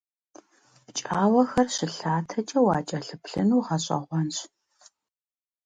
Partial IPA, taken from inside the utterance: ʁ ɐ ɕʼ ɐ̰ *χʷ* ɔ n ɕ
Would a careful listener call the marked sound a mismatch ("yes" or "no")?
yes